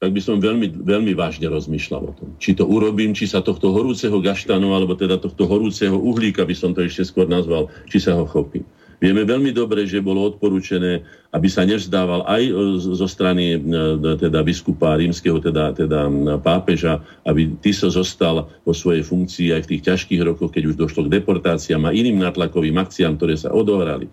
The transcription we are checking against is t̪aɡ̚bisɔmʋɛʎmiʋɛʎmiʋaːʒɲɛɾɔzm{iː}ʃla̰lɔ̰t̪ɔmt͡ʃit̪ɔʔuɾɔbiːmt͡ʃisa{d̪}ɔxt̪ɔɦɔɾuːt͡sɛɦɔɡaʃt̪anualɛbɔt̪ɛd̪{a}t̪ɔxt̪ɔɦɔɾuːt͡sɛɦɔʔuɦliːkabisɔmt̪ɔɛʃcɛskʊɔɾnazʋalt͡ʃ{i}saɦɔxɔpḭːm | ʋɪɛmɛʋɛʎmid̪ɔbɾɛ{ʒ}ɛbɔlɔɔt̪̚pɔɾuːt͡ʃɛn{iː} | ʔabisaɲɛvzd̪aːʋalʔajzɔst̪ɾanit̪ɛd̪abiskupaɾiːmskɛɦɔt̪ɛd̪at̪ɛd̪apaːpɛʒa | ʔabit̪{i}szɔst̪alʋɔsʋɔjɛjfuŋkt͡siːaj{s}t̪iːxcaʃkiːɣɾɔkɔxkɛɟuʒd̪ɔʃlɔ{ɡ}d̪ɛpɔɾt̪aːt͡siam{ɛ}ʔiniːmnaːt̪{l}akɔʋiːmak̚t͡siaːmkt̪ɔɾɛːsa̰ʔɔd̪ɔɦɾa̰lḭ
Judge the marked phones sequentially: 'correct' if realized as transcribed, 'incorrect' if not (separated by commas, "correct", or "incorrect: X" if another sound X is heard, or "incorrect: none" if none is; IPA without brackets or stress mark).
correct, incorrect: t̪, correct, correct, correct, incorrect: ɛː, correct, incorrect: f, correct, incorrect: a, correct